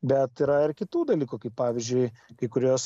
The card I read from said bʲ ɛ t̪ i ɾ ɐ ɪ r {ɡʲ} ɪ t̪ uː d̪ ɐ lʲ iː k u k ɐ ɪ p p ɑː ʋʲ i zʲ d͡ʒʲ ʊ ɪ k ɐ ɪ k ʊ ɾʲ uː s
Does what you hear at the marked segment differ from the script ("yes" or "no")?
yes